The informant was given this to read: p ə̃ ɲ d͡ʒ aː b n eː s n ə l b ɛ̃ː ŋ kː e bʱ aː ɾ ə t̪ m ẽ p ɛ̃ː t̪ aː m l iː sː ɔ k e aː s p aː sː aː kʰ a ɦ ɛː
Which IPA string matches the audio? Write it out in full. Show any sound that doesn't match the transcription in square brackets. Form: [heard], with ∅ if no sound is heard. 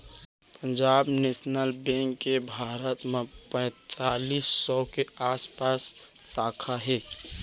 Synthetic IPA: p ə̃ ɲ d͡ʒ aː b n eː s n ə l b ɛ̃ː ŋ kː e bʱ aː ɾ ə t̪ m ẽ p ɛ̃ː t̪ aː [∅] l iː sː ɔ k e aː s p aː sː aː kʰ a ɦ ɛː